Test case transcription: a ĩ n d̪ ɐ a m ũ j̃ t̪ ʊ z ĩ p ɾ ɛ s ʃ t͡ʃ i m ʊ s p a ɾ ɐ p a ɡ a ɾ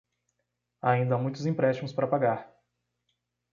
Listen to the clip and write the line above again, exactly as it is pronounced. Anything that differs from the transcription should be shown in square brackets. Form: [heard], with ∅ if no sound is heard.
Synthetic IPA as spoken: a ĩ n d̪ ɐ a m ũ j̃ t̪ ʊ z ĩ p ɾ ɛ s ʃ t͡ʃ i m ʊ s p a ɾ ɐ p a ɡ a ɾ